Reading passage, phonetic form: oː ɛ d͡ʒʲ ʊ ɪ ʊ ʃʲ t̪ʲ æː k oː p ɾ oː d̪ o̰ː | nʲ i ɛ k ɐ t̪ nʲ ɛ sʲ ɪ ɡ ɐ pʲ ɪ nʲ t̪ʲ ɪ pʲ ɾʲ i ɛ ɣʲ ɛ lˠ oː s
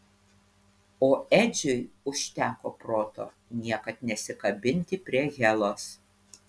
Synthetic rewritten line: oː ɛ d͡ʒʲ ʊ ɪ ʊ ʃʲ t̪ʲ æː k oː p ɾ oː t̪ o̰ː | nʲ i ɛ k ɐ t̪ nʲ ɛ sʲ ɪ k ɐ bʲ ɪ nʲ t̪ʲ ɪ pʲ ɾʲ i ɛ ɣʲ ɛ lˠ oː s